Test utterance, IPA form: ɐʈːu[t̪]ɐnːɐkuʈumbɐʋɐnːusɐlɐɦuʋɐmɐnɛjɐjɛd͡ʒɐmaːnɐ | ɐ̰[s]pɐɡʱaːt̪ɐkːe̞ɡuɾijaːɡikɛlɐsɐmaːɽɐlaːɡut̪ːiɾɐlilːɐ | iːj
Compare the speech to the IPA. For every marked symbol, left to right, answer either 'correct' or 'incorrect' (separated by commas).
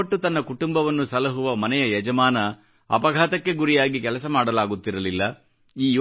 correct, incorrect